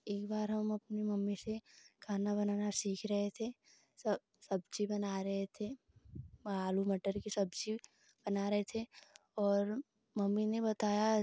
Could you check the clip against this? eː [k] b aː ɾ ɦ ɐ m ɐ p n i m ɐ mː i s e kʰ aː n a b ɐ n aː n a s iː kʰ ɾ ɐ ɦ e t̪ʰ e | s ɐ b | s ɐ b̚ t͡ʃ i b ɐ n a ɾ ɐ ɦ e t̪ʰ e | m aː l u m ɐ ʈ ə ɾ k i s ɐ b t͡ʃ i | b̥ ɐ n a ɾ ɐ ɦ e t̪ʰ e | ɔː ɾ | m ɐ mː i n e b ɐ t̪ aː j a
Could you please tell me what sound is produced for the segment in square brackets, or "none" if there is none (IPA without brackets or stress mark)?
k